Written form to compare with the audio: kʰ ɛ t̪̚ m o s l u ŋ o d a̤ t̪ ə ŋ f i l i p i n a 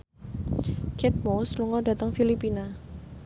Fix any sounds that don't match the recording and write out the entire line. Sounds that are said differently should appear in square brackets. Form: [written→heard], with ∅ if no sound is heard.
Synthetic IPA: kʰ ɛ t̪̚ m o s l u ŋ [o→ɔ] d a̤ t̪ ə ŋ f i l i p i n a